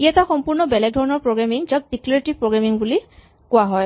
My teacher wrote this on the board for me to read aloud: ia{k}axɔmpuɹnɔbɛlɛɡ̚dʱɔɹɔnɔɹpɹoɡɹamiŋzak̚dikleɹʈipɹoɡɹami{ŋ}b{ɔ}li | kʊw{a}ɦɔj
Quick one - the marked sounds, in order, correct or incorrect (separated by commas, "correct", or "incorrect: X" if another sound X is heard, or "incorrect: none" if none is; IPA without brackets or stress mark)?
incorrect: t, correct, incorrect: u, correct